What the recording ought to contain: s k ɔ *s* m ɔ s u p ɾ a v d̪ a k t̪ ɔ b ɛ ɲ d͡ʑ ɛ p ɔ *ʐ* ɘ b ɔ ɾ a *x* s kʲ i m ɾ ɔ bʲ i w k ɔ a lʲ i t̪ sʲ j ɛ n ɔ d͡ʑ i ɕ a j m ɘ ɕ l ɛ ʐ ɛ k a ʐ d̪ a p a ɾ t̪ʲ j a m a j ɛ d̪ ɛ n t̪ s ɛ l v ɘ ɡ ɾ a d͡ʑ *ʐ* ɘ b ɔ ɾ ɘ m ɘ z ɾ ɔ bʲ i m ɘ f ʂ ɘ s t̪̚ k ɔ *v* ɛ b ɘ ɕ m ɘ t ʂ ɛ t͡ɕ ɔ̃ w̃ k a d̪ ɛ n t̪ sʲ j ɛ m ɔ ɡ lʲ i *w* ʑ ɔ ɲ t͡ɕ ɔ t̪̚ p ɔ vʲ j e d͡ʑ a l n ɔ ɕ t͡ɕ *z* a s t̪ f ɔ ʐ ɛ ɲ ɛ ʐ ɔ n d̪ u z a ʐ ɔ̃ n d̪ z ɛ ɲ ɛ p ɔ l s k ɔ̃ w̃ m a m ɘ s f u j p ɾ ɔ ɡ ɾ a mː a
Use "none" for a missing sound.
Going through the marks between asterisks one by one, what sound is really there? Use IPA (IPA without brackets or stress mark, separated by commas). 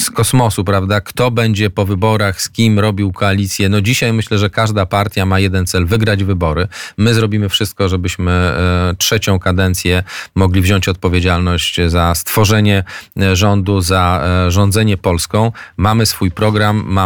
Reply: s, v, x, v, ʐ, v, z